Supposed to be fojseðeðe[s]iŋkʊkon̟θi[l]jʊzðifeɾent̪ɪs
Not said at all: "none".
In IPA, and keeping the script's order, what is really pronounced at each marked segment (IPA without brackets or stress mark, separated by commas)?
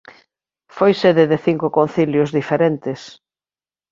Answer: θ, l